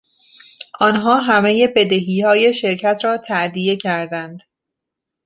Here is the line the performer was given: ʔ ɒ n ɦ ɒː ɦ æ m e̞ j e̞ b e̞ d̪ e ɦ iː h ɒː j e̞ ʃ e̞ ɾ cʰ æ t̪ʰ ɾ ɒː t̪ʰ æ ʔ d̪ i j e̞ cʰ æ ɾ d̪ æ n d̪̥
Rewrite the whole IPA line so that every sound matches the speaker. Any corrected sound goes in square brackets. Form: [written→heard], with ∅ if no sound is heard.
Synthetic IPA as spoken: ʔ ɒ n ɦ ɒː ɦ æ m e̞ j e̞ b e̞ d̪ e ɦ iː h ɒː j e̞ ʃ e̞ ɾ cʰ æ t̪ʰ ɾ ɒː t̪ʰ æ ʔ d̪ i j e̞ cʰ æ ɾ d̪ æ n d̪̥